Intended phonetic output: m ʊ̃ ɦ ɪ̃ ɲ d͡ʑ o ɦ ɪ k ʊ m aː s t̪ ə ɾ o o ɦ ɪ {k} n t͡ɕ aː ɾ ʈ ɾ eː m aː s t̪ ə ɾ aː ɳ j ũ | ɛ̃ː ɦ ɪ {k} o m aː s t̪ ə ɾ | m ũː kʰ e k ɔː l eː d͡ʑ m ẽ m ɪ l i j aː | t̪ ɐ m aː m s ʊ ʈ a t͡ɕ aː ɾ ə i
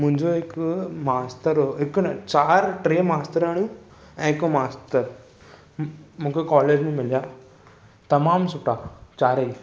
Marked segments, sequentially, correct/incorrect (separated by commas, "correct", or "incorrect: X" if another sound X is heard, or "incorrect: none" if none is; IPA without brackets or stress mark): correct, correct